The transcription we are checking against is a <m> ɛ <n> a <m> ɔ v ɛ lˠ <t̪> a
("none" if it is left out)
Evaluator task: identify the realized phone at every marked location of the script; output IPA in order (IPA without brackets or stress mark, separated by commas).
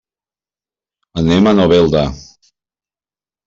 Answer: n, m, n, d̪